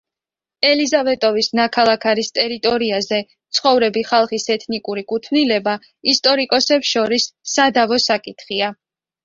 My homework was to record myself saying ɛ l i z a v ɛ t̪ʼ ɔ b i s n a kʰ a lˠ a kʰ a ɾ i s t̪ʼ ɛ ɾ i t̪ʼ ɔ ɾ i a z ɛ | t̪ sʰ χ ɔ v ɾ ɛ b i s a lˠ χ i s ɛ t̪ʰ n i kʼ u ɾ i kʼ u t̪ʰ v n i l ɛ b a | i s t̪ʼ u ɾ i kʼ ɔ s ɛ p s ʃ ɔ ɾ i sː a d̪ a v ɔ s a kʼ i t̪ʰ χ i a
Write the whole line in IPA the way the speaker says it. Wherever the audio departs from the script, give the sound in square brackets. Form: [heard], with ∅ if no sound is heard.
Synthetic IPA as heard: ɛ l i z a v ɛ t̪ʼ ɔ [v] i s n a kʰ a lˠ a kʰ a ɾ i s t̪ʼ ɛ ɾ i t̪ʼ ɔ ɾ i a z ɛ | t̪ sʰ χ ɔ v ɾ ɛ b i [χ] a lˠ χ i s ɛ t̪ʰ n i kʼ u ɾ i kʼ u t̪ʰ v n i l ɛ b a | i s t̪ʼ [ɔ] ɾ i kʼ ɔ s ɛ p s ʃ ɔ ɾ i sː a d̪ a v ɔ s a kʼ i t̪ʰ χ i a